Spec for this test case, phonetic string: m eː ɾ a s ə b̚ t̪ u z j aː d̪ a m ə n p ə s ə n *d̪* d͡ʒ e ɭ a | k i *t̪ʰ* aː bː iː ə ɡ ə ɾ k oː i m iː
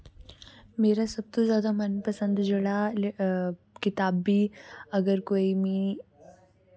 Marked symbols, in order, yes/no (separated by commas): yes, no